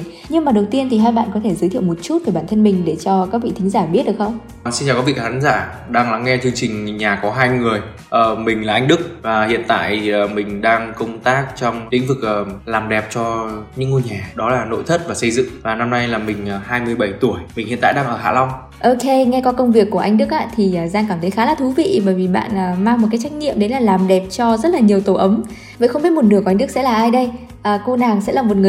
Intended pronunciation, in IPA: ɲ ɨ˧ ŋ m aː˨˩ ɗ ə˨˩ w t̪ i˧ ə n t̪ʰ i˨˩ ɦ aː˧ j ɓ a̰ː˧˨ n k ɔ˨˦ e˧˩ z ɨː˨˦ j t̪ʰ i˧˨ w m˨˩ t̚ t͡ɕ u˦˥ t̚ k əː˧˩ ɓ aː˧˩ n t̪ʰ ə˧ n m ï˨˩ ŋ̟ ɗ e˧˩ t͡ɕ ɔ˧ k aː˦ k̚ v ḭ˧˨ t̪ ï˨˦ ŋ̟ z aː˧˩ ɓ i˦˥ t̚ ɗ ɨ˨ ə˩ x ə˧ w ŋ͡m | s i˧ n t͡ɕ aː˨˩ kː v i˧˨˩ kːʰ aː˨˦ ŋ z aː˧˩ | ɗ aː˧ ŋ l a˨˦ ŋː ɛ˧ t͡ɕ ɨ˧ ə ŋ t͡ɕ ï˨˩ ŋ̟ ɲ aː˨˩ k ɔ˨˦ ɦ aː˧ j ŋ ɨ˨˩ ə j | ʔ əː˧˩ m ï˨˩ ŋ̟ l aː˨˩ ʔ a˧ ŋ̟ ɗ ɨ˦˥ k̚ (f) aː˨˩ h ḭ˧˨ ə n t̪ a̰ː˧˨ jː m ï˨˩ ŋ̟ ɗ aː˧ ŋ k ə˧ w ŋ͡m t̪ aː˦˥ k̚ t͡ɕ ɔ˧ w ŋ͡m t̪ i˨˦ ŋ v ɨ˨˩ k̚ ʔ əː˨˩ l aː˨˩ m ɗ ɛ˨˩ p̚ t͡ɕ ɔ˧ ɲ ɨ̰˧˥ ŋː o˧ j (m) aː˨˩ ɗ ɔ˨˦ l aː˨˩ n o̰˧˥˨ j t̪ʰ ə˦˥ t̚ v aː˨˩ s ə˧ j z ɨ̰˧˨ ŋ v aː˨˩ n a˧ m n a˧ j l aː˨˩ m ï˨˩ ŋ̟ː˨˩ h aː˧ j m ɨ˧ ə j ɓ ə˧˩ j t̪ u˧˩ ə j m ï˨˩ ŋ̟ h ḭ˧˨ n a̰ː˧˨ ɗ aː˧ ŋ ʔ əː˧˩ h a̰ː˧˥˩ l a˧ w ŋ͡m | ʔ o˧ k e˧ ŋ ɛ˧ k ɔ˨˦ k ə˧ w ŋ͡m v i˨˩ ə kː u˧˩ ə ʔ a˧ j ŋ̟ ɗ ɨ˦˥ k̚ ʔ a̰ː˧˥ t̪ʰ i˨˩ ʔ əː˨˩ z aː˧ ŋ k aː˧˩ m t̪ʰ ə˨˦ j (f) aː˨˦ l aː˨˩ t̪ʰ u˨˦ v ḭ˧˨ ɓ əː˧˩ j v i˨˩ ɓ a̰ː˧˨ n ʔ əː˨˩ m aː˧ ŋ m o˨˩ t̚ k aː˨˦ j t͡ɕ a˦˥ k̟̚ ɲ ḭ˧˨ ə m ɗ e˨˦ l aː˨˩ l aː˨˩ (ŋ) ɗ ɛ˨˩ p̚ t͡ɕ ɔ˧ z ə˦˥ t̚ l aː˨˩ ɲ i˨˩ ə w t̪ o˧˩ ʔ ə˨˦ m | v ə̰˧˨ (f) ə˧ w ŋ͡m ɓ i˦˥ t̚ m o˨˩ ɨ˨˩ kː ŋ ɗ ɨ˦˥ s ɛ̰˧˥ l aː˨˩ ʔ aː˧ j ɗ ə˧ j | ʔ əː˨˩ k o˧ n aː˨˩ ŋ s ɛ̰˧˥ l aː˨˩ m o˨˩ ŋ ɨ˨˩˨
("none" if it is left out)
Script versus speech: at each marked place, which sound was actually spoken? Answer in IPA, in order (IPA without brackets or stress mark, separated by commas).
v, ɲ, x, m, x